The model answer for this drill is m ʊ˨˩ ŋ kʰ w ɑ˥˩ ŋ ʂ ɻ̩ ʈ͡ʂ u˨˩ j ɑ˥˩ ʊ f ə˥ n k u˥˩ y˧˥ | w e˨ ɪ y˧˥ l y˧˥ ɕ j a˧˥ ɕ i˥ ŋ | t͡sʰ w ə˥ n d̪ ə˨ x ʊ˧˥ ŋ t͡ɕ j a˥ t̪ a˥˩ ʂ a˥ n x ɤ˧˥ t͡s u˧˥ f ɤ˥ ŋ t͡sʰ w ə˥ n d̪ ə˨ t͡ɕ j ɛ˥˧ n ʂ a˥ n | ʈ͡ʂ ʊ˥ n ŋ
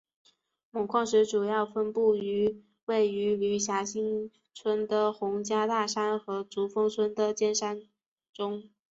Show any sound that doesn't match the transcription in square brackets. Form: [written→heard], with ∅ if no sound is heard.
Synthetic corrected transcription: m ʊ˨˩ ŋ kʰ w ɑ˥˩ ŋ ʂ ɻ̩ ʈ͡ʂ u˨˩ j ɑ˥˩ ʊ f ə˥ n [k→p] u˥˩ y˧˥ | w [e˨→e˥˩] ɪ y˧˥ l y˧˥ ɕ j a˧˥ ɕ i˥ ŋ | t͡sʰ w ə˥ n d̪ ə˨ x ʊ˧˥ ŋ t͡ɕ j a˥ t̪ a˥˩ ʂ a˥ n x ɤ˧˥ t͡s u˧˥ f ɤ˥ ŋ t͡sʰ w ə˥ n d̪ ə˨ t͡ɕ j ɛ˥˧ n ʂ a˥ n | ʈ͡ʂ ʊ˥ [n→∅] ŋ